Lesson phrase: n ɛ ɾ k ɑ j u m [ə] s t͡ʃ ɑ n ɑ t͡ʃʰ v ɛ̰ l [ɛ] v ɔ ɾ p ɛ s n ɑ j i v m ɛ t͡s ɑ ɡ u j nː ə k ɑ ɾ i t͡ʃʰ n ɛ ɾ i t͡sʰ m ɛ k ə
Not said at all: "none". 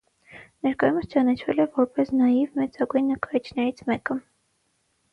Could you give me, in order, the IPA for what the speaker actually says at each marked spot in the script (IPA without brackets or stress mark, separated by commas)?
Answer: ə, ɛ